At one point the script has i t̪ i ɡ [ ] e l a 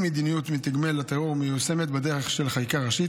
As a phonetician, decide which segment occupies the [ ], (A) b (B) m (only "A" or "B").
B